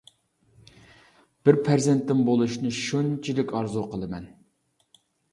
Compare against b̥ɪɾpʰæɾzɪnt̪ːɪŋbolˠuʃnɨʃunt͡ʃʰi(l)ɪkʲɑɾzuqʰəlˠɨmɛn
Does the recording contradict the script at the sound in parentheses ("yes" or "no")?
no